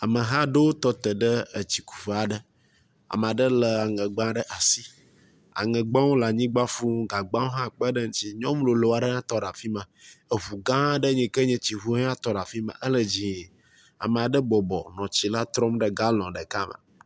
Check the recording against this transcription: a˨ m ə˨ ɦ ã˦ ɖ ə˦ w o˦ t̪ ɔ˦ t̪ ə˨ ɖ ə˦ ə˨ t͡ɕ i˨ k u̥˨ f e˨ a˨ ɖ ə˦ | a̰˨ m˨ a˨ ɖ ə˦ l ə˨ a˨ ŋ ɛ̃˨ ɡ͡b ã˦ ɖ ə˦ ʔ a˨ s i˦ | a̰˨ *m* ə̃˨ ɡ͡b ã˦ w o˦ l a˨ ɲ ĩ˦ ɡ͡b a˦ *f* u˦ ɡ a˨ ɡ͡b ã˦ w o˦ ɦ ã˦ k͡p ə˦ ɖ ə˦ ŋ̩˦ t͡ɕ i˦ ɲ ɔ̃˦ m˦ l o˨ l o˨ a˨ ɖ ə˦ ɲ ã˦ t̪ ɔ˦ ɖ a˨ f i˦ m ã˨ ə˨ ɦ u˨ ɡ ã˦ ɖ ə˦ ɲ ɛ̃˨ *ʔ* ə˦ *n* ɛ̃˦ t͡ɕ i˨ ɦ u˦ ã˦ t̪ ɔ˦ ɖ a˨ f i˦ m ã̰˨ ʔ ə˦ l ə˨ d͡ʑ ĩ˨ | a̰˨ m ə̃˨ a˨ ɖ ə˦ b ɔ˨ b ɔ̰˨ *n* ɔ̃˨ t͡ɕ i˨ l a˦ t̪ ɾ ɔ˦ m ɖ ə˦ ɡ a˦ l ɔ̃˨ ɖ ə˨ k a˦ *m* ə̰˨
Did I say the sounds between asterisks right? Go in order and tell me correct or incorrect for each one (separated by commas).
incorrect, correct, incorrect, incorrect, correct, correct